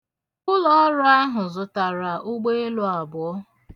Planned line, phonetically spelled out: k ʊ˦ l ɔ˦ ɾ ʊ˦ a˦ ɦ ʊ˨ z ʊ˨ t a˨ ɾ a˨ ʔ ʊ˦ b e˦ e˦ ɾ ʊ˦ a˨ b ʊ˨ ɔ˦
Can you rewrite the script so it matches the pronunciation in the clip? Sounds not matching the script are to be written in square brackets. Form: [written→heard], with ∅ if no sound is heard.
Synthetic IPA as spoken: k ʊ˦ l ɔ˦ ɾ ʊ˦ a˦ ɦ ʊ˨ z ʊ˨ t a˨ ɾ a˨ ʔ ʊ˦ [b→ɡ͡b] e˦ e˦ [ɾ→l] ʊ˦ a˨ b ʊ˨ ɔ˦